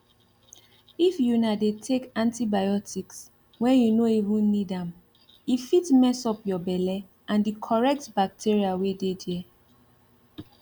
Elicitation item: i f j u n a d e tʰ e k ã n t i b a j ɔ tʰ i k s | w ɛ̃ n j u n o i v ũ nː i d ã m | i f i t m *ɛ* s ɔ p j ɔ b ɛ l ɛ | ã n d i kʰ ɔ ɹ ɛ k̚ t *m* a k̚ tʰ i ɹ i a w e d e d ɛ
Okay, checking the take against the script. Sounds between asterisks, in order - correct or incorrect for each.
correct, incorrect: b

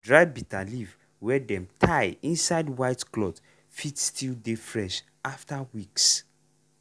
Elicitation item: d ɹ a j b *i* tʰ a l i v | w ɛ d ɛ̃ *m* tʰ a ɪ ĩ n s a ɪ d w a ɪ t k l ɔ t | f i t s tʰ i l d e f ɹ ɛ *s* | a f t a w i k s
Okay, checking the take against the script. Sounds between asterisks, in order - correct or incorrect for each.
correct, correct, incorrect: ʃ

